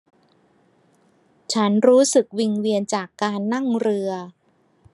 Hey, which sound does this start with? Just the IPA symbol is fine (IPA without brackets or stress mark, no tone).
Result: t͡ɕʰ